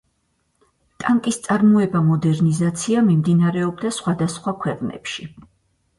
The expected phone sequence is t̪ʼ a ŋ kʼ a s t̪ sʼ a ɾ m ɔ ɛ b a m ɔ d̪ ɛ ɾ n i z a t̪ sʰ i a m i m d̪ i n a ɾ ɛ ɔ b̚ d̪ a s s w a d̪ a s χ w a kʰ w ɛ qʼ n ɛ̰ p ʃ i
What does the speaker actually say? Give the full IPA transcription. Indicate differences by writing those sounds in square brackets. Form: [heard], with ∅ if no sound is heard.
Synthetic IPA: t̪ʼ a ŋ kʼ [i] s t̪ sʼ a ɾ m ɔ ɛ b a m ɔ d̪ ɛ ɾ n i z a t̪ sʰ i a m i m d̪ i n a ɾ ɛ ɔ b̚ d̪ a s [χ] w a d̪ a s χ w a kʰ w ɛ qʼ n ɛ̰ p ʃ i